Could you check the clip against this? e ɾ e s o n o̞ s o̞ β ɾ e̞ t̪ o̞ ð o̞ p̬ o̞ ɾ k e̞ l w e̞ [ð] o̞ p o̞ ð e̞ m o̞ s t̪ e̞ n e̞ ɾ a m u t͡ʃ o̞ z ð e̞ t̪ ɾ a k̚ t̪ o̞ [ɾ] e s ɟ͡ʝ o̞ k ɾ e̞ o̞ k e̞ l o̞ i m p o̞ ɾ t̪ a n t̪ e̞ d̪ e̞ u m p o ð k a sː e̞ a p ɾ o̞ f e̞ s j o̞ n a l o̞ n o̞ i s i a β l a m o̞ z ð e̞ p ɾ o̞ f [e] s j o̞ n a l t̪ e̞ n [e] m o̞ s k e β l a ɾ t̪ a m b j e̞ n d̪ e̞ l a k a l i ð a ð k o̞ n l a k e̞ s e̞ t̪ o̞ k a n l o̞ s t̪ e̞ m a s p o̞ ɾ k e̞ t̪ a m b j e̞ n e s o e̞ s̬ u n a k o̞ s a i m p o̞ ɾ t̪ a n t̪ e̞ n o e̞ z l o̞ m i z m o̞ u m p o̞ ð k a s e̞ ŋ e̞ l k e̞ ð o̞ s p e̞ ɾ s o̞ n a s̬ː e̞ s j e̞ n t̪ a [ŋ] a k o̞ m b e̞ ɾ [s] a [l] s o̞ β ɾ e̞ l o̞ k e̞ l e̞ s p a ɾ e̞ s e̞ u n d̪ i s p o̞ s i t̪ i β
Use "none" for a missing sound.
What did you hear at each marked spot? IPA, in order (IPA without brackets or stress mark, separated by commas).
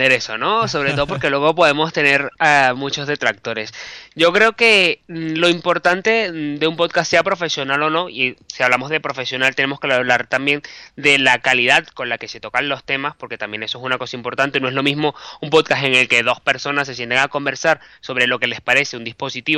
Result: ɣ, ɾ, e, e, ŋ, s, ɾ